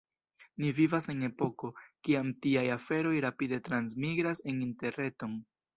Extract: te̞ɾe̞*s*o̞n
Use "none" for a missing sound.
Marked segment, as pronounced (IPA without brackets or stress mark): t